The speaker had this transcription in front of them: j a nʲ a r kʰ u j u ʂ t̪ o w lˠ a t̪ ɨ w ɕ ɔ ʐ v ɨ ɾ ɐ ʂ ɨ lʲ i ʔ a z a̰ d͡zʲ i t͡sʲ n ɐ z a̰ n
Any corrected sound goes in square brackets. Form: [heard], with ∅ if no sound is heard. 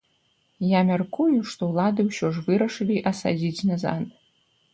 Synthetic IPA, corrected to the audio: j a [mʲ] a r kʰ u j u ʂ t̪ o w lˠ a [d̪] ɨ w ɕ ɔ ʐ v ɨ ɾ ɐ ʂ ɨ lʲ i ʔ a [s] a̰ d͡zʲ i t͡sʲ n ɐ z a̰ n